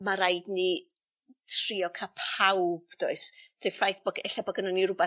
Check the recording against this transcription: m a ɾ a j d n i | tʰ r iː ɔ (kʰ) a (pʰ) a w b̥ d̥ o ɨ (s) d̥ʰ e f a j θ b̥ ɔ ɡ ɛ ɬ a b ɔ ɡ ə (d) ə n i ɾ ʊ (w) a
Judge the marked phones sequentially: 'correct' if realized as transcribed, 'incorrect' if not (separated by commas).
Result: correct, correct, correct, incorrect, incorrect